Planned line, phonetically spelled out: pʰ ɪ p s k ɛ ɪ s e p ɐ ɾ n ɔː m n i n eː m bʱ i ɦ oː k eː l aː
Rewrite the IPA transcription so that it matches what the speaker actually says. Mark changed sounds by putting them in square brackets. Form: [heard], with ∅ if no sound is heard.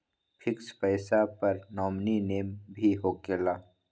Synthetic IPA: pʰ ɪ [k] s [p] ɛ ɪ s [a] p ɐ ɾ n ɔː m n i n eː m bʱ i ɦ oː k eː l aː

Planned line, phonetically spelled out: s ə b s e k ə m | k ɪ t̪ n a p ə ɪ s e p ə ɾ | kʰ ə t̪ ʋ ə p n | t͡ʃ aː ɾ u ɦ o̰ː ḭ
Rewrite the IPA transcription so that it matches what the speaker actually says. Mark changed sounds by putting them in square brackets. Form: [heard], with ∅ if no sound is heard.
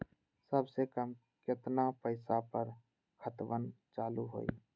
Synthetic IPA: s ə b s e k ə m | k ɪ t̪ n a p ə ɪ s [a] p ə ɾ | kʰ ə t̪ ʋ ə [∅] n | t͡ʃ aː [l] u ɦ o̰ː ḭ

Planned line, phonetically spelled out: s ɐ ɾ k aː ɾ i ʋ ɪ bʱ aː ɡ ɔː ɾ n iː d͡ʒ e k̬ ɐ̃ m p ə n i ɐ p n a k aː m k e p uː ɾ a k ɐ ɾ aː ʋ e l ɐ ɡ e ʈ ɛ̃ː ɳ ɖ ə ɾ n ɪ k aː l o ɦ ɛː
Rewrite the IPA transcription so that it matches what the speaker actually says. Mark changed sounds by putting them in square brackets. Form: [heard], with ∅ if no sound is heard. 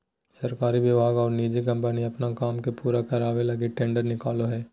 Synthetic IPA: s ɐ ɾ k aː ɾ i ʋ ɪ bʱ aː ɡ ɔː ɾ n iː d͡ʒ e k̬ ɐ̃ m p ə n i ɐ p n a k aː m k e p uː ɾ a k ɐ ɾ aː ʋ e l ɐ ɡ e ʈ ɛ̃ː ɳ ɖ ə ɾ n ɪ k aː l o ɦ ɛː

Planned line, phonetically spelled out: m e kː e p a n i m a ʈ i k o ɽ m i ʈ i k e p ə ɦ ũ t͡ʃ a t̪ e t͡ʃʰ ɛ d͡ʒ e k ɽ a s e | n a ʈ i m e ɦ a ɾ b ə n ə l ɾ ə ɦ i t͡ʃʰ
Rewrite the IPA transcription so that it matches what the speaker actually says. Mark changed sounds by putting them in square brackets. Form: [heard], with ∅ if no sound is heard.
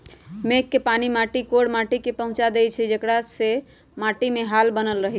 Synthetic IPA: m e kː e p a n i m a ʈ i k o ɽ m [a] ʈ i k e p ə ɦ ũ t͡ʃ a [d̪] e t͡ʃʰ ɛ d͡ʒ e k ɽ a s e | [m] a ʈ i m e ɦ a [l] b ə n ə l ɾ ə ɦ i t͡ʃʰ

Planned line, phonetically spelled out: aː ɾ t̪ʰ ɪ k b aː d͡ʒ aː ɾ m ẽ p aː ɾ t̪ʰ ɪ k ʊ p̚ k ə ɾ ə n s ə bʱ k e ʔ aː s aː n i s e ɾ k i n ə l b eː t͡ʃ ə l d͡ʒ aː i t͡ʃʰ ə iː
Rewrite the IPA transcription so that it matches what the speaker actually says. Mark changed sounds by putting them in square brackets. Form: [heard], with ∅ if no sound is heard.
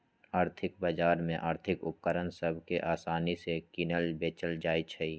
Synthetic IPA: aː ɾ t̪ʰ ɪ k b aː d͡ʒ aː ɾ m ẽ [ʔ] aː ɾ t̪ʰ ɪ k ʊ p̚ k ə ɾ ə n s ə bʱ k e ʔ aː s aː n i s e [∅] k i n ə l b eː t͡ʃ ə l d͡ʒ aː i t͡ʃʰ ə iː

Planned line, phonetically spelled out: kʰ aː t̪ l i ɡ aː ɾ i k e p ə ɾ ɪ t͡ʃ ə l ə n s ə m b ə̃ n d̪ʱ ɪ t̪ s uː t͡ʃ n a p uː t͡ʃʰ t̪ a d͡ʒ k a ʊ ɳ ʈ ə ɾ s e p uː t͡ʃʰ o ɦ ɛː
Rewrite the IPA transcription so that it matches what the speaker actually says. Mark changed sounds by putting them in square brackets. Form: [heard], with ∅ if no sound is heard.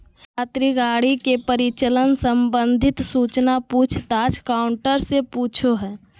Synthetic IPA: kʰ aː t̪ [ɾ] i ɡ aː [ɽ] i k e p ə ɾ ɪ t͡ʃ ə l ə n s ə m b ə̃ n d̪ʱ ɪ t̪ s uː t͡ʃ n a p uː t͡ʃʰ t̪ a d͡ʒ k a ʊ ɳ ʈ ə ɾ s e p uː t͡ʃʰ o ɦ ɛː

